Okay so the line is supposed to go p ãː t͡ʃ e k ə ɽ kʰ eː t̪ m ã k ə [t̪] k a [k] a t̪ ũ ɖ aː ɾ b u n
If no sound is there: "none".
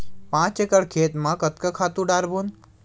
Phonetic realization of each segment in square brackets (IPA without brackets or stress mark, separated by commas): t̪, kʰ